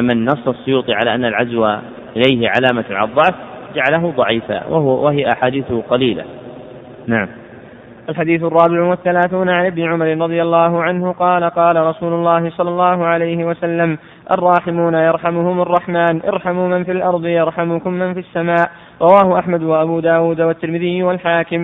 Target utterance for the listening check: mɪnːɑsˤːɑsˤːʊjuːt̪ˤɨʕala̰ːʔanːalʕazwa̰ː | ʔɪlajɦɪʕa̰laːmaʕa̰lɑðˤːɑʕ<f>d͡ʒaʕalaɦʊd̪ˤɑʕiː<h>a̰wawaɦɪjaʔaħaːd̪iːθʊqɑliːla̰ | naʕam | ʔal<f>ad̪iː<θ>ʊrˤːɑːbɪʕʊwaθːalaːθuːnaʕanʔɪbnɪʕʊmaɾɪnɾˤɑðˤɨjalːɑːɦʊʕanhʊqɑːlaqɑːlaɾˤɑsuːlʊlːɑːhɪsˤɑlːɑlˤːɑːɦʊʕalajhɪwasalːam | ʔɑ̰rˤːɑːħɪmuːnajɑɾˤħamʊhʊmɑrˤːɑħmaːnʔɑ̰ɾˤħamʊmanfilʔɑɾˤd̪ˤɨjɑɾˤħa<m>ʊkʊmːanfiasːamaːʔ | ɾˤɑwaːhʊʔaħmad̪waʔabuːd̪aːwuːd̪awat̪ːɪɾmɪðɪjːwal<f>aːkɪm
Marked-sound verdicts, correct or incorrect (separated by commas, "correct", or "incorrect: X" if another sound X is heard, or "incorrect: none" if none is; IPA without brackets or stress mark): correct, incorrect: f, incorrect: ħ, correct, correct, incorrect: ħ